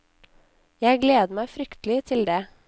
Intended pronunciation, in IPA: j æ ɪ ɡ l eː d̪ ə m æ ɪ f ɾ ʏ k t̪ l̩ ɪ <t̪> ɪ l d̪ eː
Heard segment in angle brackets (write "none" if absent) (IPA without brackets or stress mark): t̪ʰ